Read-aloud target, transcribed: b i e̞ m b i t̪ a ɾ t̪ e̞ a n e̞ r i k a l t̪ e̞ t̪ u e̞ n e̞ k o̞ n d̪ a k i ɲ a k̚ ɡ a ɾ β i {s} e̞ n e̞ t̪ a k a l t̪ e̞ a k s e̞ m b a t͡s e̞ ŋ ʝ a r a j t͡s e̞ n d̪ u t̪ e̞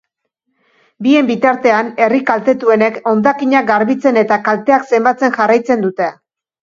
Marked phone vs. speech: incorrect: t͡s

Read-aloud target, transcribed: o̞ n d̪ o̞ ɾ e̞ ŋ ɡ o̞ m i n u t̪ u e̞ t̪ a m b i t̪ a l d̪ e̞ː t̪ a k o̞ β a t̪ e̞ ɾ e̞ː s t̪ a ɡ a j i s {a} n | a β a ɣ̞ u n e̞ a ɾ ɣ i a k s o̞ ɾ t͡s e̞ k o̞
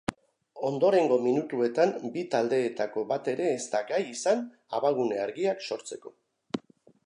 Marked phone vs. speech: correct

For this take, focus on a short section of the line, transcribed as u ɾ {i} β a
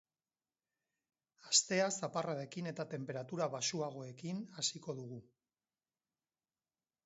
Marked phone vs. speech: incorrect: a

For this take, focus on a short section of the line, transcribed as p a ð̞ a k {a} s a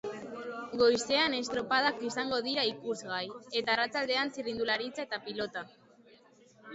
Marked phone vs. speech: incorrect: i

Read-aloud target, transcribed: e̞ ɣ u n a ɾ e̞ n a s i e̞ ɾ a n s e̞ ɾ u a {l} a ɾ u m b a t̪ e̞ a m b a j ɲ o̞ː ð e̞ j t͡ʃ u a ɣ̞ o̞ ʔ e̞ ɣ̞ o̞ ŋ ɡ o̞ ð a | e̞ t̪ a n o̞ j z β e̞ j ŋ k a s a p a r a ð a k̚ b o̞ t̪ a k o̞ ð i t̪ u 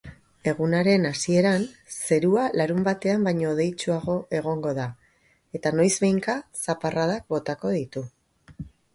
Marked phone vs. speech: correct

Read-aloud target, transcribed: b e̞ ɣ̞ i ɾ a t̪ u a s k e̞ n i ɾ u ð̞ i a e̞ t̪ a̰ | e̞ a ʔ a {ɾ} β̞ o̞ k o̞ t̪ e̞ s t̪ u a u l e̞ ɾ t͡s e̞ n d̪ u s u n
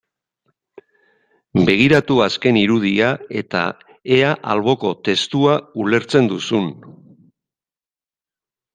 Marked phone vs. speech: incorrect: l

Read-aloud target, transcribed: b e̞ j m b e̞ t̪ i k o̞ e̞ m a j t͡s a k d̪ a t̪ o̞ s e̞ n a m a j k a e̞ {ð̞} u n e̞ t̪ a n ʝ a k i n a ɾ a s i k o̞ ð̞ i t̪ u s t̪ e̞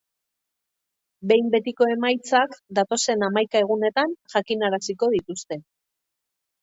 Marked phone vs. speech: incorrect: ɣ̞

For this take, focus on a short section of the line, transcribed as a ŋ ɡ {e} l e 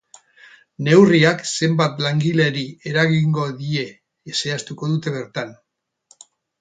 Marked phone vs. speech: incorrect: i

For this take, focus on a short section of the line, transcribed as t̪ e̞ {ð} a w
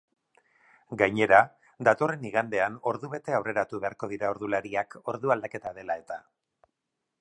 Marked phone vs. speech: incorrect: none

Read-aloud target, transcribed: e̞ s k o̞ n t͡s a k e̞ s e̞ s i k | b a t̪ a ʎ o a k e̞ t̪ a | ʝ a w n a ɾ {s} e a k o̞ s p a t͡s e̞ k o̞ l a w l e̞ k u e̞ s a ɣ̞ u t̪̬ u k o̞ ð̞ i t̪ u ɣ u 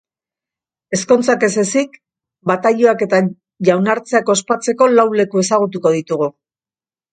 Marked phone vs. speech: incorrect: t͡s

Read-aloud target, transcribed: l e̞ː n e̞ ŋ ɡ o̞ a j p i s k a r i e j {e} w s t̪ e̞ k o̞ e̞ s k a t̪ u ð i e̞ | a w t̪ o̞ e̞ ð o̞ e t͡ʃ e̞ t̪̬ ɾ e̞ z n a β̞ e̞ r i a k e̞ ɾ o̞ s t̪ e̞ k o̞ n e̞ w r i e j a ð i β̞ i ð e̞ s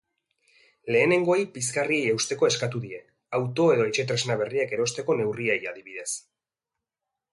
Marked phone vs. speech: correct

